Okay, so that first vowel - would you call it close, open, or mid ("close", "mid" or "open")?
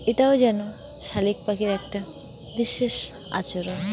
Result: mid